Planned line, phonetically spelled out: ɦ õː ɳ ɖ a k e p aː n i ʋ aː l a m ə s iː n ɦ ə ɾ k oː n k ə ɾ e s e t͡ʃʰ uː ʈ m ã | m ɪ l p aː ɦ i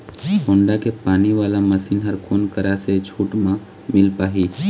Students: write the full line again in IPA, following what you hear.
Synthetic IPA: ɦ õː ɳ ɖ a k e p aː n i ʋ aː l a m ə s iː n ɦ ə ɾ k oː n k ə ɾ a s e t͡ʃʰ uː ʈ m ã | m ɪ l p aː ɦ i

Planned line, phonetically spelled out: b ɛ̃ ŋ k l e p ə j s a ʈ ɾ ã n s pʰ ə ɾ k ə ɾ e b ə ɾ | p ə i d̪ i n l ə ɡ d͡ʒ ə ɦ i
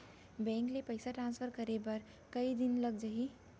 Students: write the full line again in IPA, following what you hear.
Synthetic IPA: b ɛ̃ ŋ k l e p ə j s a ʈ ɾ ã n s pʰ ə ɾ k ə ɾ e b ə ɾ | k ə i d̪ i n l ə ɡ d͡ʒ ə ɦ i

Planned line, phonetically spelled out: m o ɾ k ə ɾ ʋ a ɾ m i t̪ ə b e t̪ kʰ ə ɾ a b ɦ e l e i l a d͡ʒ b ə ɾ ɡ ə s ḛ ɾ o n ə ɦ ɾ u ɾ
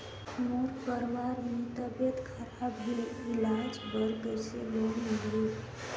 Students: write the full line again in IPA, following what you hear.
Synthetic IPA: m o ɾ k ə ɾ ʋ a ɾ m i t̪ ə b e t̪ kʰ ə ɾ a b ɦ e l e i l a d͡ʒ b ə ɾ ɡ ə s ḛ l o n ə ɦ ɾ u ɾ

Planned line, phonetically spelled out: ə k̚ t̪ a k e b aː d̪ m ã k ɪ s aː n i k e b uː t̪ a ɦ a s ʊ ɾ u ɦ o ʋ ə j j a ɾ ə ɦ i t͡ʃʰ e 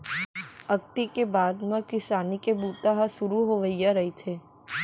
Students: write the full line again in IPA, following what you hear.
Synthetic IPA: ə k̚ t̪ i k e b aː d̪ m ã k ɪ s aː n i k e b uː t̪ a ɦ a s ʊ ɾ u ɦ o ʋ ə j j a ɾ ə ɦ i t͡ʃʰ e

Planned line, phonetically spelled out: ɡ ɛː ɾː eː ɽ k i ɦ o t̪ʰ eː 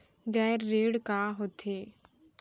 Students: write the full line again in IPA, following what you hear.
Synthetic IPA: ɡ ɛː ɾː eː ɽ k a ɦ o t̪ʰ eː

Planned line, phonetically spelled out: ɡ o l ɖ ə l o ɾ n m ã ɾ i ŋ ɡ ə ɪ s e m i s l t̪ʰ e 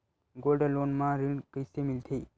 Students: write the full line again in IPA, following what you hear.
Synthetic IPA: ɡ o l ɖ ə l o n m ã ɾ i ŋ k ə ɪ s e m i l t̪ʰ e

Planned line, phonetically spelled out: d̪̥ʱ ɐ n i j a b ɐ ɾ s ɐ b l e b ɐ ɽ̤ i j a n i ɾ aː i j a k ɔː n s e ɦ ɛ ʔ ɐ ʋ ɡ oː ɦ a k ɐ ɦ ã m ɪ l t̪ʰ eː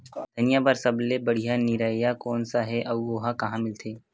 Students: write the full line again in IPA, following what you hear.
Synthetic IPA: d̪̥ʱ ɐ n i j a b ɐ ɾ s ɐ b l e b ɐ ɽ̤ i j a n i ɾ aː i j a k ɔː n s a ɦ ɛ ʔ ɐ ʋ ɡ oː ɦ a k ɐ ɦ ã m ɪ l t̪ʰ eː

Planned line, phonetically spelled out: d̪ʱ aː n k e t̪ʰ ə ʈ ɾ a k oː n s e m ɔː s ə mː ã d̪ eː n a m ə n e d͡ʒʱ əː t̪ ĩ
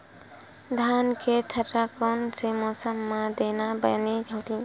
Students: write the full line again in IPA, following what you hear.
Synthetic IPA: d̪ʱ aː n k e t̪ʰ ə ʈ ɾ a k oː n s e m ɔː s ə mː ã d̪ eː n a b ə n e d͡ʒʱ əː t̪ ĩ

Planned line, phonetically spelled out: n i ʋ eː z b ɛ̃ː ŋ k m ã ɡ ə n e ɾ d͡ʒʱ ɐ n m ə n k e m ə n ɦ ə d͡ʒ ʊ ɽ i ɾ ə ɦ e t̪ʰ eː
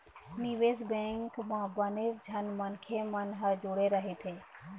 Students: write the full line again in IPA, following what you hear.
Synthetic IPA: n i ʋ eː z b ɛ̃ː ŋ k m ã b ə n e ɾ d͡ʒʱ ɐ n m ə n kʰ e m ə n ɦ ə d͡ʒ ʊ ɽ e ɾ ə ɦ e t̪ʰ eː

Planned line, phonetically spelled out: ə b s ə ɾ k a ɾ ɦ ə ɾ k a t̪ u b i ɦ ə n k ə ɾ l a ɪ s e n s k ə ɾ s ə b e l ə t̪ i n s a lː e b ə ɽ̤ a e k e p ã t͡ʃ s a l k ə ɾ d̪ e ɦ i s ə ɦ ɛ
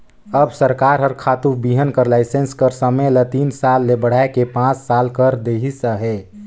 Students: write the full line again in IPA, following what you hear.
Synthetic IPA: ə b s ə ɾ k a ɾ ɦ ə ɾ kʰ a t̪ u b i ɦ ə n k ə ɾ l a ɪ s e n s k ə ɾ s ə m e l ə t̪ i n s a lː e b ə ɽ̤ a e k e p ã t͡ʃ s a l k ə ɾ d̪ e ɦ i s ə ɦ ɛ

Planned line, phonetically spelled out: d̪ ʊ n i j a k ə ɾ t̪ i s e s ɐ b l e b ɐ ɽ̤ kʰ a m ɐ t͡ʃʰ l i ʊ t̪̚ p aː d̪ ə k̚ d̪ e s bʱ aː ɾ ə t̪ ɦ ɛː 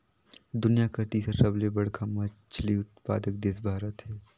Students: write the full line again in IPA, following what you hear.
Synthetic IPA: d̪ ʊ n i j a k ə ɾ t̪ i s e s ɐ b l e b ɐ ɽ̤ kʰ a m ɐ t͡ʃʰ l i ʊ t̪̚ p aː d̪ ə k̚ d̪ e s bʱ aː ɾ ə t̪ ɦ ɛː

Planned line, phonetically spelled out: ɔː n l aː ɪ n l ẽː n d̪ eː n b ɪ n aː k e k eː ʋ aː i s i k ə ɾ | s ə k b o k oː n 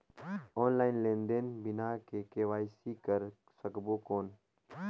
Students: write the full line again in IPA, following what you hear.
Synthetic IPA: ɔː n l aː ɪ n l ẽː n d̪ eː n b ɪ n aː k e k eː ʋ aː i s i k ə ɾ | s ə k b o k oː n

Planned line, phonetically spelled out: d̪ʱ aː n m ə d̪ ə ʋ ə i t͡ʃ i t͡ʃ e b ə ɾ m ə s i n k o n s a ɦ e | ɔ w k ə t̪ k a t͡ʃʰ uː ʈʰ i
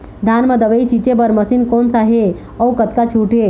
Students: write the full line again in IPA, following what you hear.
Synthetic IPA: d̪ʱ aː n m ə d̪ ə ʋ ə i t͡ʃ i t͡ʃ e b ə ɾ m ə s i n k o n s a ɦ e | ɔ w k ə t̪ k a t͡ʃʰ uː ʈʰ e

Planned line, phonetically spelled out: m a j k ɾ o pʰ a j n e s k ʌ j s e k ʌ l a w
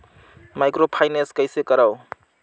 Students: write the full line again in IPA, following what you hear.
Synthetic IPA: m a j k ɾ o pʰ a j n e s k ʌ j s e k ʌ ɾ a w

